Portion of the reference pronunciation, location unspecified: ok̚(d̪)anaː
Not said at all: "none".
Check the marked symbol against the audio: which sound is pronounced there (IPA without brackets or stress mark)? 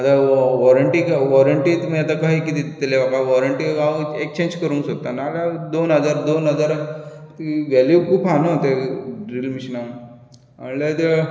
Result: t̪